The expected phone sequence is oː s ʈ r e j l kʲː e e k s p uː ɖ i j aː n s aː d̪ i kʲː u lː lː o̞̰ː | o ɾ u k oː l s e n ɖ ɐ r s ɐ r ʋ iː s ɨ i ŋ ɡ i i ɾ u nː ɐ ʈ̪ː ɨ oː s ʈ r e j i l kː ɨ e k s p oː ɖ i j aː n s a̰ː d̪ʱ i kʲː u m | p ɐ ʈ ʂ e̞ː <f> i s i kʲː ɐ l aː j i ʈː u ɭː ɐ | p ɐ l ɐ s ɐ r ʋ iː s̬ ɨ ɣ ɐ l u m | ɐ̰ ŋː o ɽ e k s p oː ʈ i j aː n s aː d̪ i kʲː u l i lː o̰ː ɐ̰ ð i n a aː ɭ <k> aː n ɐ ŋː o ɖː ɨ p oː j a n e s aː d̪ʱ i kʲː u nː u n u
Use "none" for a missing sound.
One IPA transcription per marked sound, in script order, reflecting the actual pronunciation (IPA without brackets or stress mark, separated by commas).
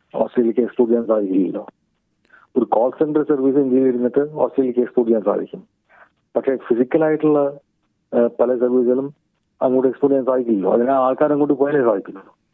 f, k